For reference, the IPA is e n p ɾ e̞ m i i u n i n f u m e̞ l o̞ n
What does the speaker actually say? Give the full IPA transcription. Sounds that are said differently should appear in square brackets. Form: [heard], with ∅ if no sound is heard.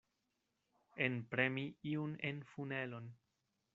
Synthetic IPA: e n p ɾ e̞ m i i u n [e] n f u [n] e̞ l o̞ n